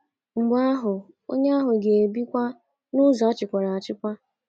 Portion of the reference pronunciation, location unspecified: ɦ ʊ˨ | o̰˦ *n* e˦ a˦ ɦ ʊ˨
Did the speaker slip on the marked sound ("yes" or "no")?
yes